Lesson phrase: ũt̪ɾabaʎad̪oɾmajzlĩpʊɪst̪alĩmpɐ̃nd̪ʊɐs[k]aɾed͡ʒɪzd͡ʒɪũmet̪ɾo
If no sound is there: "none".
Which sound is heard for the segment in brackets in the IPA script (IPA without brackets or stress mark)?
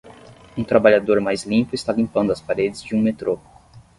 p